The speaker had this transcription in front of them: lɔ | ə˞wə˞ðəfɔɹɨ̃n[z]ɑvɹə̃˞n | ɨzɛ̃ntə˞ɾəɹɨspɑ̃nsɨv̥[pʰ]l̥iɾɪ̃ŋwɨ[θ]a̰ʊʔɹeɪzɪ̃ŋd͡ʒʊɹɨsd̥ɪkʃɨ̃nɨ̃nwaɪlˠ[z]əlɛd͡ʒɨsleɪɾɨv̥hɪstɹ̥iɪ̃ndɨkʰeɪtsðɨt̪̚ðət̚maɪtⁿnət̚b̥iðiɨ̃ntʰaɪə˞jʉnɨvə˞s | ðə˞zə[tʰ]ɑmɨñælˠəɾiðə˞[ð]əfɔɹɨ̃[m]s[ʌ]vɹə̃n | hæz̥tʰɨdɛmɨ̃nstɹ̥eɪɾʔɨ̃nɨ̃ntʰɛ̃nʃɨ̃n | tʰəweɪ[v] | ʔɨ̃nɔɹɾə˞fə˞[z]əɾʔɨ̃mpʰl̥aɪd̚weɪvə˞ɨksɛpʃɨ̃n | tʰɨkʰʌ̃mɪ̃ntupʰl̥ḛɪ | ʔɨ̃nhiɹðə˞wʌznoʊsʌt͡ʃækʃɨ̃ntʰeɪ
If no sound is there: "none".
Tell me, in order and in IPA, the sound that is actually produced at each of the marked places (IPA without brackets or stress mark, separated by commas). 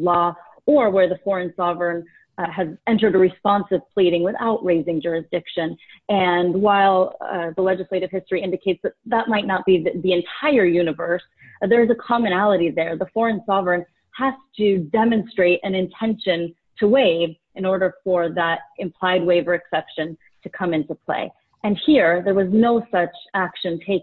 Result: s, pʰ, θ, ð, kʰ, ð, n, ɑ, v, ð